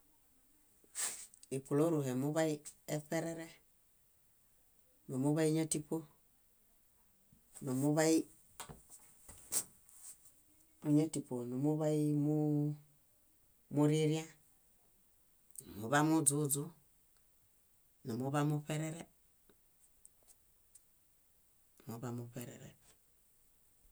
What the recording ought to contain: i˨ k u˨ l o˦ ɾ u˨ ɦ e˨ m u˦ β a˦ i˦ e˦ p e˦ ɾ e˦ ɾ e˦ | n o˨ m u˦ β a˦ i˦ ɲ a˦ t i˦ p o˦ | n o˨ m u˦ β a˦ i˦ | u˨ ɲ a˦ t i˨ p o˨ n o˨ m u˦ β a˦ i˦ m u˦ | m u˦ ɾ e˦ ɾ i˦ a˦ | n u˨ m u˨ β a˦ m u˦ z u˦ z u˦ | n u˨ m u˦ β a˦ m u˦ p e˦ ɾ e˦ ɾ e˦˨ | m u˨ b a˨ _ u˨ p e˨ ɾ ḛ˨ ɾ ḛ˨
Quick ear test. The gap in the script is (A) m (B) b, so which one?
A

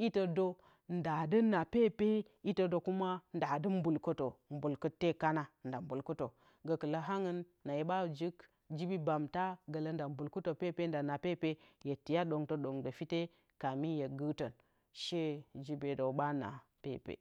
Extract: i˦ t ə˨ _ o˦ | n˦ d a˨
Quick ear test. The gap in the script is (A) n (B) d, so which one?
B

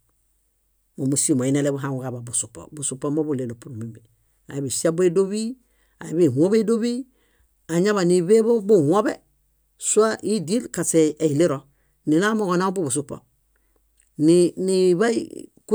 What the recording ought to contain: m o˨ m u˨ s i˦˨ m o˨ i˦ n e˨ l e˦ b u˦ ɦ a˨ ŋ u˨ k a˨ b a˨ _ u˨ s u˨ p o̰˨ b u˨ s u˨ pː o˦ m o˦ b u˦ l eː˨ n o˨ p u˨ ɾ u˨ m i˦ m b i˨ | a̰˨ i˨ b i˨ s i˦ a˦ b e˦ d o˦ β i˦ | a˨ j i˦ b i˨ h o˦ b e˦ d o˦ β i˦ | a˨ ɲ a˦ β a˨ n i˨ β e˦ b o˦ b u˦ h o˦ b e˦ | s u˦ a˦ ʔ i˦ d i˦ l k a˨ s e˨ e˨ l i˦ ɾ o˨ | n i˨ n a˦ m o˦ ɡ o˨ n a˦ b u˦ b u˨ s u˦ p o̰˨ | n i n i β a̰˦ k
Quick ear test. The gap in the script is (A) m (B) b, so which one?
B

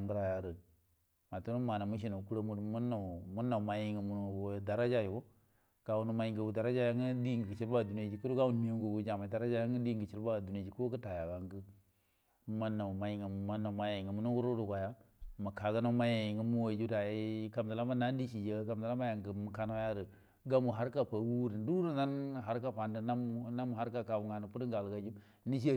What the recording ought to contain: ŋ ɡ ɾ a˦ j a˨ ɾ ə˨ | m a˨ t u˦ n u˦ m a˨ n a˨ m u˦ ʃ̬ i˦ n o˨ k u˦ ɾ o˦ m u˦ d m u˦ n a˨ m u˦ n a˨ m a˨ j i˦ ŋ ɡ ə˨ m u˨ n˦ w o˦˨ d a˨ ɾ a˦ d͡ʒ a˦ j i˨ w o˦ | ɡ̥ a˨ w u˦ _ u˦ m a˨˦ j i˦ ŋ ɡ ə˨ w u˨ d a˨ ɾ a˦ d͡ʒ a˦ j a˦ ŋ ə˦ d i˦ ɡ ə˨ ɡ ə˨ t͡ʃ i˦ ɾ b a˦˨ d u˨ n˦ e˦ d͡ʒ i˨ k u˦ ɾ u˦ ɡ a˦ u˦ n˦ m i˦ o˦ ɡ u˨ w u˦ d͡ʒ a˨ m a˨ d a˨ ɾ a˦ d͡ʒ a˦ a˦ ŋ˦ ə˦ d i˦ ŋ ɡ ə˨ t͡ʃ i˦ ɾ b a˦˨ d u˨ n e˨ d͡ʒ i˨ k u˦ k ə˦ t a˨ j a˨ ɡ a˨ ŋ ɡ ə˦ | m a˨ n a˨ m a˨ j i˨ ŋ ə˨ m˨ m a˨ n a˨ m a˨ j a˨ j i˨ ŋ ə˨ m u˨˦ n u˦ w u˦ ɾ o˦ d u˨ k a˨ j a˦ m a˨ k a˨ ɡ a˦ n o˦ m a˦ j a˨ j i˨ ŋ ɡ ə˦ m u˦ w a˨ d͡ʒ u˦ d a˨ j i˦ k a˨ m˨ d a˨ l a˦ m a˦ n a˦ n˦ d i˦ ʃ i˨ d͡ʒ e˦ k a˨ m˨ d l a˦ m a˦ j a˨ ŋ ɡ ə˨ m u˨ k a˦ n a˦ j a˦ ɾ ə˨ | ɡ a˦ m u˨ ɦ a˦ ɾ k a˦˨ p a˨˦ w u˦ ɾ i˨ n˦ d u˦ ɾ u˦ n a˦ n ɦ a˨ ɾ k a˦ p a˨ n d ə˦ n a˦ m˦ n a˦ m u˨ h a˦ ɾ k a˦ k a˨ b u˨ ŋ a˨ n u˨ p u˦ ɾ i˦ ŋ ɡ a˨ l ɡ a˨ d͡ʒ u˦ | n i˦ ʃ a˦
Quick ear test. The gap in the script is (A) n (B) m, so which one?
A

